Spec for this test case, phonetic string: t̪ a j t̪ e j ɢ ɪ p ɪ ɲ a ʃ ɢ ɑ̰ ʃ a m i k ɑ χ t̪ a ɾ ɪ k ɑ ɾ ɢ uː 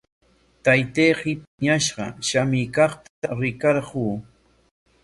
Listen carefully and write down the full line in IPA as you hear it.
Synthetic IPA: t̪ a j t̪ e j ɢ ɪ p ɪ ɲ a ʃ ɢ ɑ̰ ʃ a m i k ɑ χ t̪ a ɾ ɪ k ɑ ɾ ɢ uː